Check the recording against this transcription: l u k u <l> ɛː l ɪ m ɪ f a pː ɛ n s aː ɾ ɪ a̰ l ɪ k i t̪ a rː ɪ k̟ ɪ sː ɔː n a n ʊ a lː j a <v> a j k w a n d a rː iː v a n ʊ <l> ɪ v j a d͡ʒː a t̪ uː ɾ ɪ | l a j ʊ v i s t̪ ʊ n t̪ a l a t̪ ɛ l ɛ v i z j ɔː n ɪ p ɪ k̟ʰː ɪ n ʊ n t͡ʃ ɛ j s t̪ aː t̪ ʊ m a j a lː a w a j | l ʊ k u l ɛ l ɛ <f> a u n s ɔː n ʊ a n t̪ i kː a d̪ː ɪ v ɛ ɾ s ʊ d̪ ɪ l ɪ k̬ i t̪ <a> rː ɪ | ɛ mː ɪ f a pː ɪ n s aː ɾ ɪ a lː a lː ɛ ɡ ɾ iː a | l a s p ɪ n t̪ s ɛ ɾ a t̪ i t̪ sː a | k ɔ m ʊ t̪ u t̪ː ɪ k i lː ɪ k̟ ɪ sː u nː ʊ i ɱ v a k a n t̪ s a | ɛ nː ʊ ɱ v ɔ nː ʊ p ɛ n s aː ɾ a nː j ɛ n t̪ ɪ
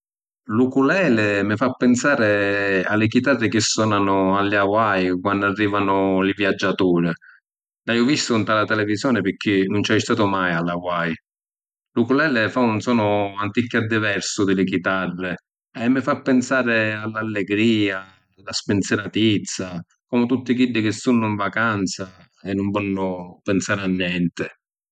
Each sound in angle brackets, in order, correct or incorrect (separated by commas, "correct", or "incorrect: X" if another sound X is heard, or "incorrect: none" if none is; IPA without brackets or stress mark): correct, incorrect: w, correct, correct, correct